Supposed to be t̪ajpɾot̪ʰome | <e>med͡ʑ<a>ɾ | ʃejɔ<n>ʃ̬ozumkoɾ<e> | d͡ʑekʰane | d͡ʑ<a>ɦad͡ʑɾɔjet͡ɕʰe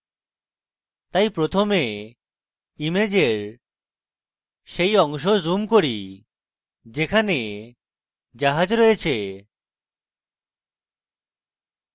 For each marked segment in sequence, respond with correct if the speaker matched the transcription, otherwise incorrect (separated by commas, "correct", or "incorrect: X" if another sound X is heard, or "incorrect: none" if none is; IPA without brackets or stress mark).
incorrect: i, incorrect: e, incorrect: ŋ, incorrect: i, correct